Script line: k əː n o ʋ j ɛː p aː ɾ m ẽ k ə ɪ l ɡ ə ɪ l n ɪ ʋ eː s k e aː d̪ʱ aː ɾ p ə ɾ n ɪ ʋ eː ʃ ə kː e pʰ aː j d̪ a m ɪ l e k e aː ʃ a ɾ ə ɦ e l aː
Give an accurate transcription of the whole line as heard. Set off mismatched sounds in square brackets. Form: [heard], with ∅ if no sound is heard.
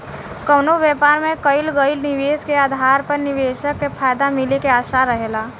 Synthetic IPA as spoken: k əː n o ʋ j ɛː p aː ɾ m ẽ k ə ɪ l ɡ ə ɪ l n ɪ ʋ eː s k e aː d̪ʱ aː ɾ p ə ɾ n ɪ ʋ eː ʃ ə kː e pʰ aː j d̪ a m ɪ l e k e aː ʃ a ɾ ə ɦ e l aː